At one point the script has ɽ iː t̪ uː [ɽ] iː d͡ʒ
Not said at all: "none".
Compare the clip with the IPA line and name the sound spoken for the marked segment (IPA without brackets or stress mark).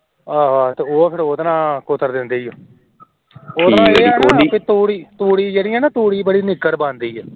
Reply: ɽ